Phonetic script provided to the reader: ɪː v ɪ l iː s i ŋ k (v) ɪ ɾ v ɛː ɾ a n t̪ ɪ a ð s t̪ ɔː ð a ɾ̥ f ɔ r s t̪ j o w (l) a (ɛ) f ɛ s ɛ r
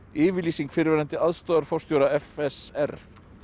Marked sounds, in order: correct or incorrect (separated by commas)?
incorrect, incorrect, correct